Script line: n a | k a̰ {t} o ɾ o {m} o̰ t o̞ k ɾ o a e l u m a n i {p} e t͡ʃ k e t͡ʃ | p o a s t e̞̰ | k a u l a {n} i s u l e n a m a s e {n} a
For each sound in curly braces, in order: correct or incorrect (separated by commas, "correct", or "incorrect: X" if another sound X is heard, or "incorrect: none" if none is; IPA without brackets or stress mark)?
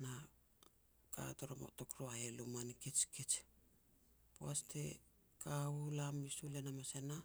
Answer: correct, correct, incorrect: k, incorrect: m, correct